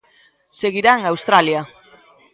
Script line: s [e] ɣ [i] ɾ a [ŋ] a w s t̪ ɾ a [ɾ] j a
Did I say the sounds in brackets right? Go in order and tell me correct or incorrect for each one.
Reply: correct, correct, correct, incorrect: l

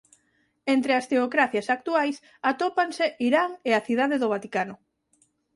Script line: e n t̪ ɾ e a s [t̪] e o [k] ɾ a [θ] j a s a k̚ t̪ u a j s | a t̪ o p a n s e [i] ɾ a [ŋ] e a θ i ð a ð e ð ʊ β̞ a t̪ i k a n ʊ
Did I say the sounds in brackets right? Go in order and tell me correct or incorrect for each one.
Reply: correct, correct, correct, correct, correct

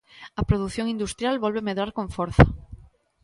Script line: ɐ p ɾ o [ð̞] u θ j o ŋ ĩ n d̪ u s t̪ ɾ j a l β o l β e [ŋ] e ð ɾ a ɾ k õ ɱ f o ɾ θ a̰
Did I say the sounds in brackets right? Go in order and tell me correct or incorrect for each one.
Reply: correct, incorrect: m

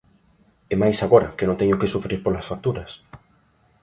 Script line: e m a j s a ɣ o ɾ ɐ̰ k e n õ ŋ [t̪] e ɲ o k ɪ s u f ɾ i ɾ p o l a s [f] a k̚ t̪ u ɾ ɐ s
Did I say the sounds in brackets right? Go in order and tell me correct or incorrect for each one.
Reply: correct, correct

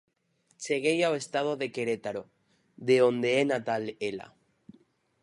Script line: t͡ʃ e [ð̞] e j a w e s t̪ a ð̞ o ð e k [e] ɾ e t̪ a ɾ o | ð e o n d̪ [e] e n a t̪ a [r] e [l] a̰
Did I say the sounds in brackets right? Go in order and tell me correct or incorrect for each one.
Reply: incorrect: ɣ̞, correct, correct, incorrect: l, correct

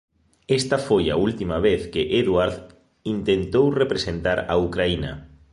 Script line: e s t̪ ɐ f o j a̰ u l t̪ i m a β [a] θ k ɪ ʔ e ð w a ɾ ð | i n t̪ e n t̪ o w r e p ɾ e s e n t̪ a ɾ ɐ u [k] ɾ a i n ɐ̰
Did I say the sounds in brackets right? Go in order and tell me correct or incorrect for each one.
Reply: incorrect: e, correct

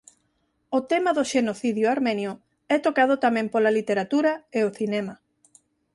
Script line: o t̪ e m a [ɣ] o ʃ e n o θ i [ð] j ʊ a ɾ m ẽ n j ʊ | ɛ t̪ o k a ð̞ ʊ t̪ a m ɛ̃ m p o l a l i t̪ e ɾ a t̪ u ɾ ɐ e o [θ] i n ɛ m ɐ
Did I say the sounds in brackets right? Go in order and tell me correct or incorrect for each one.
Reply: incorrect: ð, correct, correct

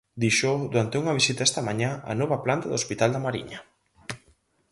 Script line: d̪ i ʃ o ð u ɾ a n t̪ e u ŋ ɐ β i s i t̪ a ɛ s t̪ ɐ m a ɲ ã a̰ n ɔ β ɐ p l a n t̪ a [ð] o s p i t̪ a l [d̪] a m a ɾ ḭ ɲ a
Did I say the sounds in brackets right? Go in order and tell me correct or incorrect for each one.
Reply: correct, correct

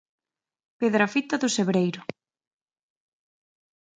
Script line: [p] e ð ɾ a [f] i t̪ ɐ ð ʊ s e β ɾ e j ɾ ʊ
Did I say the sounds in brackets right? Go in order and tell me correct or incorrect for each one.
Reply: correct, correct

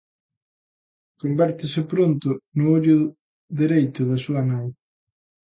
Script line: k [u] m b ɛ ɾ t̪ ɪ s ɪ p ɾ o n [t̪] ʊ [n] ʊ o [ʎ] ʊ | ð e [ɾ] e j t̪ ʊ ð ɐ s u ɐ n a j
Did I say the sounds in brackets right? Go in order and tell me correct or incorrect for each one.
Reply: incorrect: o, correct, correct, correct, correct

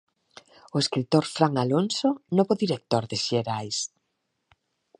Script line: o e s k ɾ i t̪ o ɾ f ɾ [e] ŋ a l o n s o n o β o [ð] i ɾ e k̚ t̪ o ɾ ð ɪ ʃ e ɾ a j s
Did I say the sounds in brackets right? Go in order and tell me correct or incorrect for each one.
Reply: incorrect: a, correct

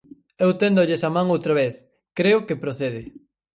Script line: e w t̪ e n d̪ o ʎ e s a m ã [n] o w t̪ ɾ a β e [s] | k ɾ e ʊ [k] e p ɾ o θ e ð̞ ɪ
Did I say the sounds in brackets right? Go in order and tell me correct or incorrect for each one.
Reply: incorrect: ŋ, incorrect: θ, correct

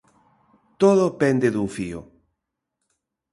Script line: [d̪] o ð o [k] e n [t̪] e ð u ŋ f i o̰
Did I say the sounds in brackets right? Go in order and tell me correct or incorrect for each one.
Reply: incorrect: t̪, incorrect: p, incorrect: d̪

